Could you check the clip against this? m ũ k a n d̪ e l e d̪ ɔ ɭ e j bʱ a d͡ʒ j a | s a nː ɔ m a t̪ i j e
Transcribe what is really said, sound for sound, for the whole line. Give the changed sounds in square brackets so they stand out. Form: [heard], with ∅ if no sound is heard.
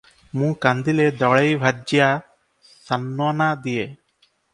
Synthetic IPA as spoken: m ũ k a n d̪ [i] l e d̪ ɔ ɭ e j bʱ a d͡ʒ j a | s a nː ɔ [n] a [d̪] i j e